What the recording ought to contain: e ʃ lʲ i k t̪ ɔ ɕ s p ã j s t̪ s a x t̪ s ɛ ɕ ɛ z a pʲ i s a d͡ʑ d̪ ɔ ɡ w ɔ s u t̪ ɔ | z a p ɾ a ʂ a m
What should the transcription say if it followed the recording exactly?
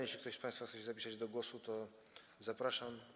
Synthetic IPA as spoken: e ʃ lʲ i k t̪ ɔ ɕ s p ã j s t̪ f a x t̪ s ɛ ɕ ɛ z a pʲ i s a d͡ʑ d̪ ɔ ɡ w ɔ s u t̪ ɔ | z a p ɾ a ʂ a m